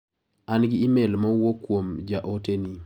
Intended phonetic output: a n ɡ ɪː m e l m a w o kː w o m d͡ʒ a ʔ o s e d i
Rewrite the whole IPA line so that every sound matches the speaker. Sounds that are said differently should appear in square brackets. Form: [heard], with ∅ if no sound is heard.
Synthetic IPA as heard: a n ɡ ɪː m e l m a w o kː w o m d͡ʒ a ʔ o [t] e [n] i